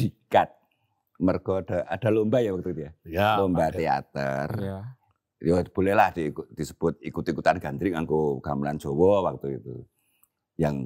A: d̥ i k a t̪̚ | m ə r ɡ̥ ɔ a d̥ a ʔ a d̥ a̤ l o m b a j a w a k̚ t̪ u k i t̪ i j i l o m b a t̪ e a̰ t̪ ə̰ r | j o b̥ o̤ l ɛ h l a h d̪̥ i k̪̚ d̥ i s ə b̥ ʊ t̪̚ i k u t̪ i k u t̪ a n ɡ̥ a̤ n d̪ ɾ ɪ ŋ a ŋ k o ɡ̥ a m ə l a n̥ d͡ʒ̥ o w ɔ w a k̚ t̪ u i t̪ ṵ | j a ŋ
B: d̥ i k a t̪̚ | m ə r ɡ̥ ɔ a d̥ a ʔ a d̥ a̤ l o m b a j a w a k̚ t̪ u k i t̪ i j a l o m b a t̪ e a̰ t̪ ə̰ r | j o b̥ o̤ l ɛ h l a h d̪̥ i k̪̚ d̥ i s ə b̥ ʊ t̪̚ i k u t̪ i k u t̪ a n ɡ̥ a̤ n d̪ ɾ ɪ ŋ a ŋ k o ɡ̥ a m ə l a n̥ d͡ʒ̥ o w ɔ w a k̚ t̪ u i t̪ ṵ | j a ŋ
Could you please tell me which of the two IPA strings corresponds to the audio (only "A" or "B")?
B